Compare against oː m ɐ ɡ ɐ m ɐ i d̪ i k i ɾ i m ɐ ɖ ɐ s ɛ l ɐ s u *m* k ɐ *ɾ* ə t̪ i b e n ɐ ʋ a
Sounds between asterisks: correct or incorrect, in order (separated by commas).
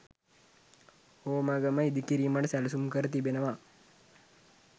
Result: correct, correct